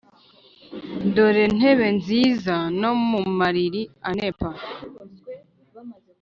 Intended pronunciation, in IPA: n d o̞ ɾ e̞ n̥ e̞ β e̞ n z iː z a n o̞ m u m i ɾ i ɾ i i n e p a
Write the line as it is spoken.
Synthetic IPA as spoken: n d o̞ ɾ e̞ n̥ e̞ β e̞ n z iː z a n o̞ m u m a ɾ i ɾ i a n e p a